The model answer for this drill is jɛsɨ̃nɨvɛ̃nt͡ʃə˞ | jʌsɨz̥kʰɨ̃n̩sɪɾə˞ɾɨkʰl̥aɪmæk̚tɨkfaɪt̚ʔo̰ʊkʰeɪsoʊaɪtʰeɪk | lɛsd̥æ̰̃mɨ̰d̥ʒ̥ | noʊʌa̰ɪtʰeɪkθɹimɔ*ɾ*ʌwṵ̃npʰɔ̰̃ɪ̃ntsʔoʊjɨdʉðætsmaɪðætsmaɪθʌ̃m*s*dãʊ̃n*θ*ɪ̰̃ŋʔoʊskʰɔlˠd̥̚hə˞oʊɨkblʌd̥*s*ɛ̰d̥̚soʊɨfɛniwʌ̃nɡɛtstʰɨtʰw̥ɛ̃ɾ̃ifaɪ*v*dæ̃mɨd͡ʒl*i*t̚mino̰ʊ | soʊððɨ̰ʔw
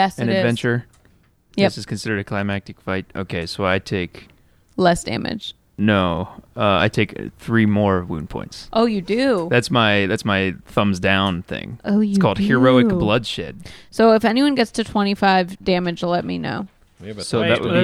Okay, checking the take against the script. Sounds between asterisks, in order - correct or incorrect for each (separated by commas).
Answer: incorrect, incorrect, correct, incorrect, correct, incorrect